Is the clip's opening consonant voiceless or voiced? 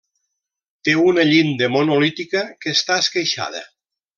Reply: voiceless